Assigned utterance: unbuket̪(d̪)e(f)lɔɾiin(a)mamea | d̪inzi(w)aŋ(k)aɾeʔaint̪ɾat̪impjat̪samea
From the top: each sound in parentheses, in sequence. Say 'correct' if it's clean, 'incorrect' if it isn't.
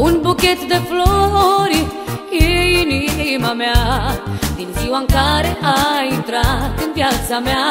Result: correct, correct, incorrect: i, correct, correct

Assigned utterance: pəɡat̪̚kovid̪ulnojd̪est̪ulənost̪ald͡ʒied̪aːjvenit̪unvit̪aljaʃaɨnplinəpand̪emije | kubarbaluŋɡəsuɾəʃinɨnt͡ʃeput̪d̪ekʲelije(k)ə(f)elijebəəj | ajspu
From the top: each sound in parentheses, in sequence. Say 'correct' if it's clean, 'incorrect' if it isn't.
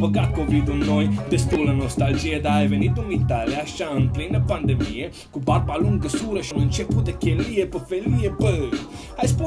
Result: incorrect: p, correct

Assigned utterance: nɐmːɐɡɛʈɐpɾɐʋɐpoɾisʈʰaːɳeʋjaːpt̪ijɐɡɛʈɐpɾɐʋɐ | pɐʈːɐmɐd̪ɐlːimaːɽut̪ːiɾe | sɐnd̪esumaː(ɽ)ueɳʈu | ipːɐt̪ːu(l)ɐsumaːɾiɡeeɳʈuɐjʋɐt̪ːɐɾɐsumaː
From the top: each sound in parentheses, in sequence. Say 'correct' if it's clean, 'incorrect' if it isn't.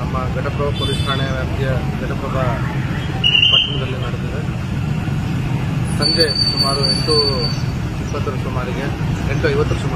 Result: incorrect: ɾ, incorrect: ɾ

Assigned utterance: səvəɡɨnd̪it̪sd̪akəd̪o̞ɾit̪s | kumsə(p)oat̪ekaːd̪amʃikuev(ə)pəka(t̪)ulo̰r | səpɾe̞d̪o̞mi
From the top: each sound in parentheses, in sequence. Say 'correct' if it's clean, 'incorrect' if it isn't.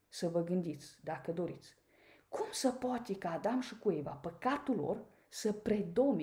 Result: correct, incorrect: a, correct

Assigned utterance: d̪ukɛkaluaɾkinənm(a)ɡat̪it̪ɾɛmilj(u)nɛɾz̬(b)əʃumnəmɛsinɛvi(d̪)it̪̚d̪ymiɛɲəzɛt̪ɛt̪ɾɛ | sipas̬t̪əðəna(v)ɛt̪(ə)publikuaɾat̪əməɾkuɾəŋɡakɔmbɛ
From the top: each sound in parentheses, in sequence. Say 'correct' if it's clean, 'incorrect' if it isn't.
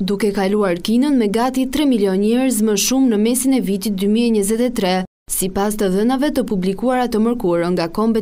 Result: incorrect: ɛ, incorrect: ɔ, incorrect: m, incorrect: t̪, correct, correct

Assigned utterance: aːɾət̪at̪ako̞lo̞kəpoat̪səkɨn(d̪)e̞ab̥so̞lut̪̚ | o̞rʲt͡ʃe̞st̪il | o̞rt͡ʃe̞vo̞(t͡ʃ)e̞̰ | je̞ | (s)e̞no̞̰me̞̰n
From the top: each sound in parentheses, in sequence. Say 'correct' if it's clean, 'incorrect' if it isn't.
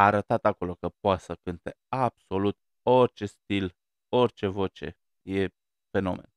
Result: incorrect: t̪, correct, incorrect: f

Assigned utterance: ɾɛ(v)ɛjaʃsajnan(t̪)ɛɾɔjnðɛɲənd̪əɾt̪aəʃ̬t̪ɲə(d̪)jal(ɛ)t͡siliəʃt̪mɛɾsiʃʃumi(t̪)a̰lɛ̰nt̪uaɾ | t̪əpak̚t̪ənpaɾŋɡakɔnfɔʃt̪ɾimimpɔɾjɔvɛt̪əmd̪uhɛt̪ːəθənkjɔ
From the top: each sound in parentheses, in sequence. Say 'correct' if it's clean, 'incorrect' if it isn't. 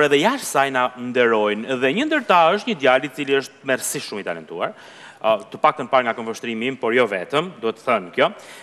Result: incorrect: ð, incorrect: d̪, correct, incorrect: i, correct

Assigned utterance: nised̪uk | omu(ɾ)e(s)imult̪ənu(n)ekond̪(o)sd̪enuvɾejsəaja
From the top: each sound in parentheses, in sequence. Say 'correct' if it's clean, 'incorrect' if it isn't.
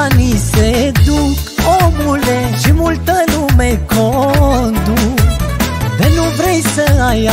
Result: incorrect: l, incorrect: ʃ, incorrect: m, incorrect: u

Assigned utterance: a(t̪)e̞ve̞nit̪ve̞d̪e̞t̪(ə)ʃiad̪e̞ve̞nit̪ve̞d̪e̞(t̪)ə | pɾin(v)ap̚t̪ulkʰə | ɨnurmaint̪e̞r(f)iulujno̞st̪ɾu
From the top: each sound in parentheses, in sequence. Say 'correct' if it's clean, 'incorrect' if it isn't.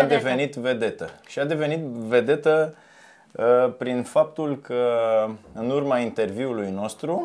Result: incorrect: d̪, correct, correct, incorrect: f, incorrect: v

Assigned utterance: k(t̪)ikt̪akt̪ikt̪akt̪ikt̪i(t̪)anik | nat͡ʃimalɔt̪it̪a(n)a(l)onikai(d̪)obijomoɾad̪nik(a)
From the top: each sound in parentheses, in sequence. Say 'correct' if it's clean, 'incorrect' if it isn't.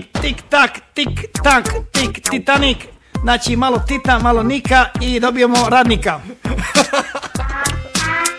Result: correct, correct, incorrect: m, correct, correct, correct

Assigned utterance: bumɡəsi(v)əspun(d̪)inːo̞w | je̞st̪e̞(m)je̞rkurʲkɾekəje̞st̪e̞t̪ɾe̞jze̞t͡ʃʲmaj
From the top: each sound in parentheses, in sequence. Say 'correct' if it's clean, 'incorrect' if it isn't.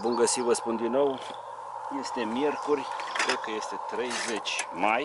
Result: correct, correct, correct

